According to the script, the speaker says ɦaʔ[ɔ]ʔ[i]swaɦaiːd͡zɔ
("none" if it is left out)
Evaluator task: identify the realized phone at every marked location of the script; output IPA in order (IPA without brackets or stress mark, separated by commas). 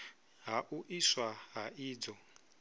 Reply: u, i